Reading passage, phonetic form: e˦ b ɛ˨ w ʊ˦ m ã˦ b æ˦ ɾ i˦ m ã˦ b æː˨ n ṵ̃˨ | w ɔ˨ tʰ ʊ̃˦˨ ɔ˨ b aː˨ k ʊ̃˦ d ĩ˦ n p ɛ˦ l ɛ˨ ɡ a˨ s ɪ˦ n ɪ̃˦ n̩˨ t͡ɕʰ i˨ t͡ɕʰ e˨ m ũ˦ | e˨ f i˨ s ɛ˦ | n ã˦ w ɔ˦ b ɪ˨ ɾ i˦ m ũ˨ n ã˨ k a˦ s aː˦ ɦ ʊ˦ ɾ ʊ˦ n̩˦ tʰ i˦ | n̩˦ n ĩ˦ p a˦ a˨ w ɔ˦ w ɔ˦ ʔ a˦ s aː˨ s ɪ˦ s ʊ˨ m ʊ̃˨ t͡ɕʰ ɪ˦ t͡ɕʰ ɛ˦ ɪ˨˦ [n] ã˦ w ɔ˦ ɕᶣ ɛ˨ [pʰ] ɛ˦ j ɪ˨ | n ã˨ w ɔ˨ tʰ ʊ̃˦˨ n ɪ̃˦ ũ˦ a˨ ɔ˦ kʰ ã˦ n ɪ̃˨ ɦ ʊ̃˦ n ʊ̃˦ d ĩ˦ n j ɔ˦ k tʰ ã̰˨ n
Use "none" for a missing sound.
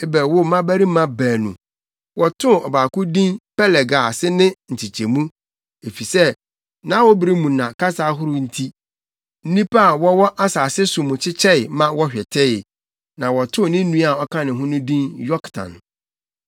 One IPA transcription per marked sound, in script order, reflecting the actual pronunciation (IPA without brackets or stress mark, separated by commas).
m, tʰ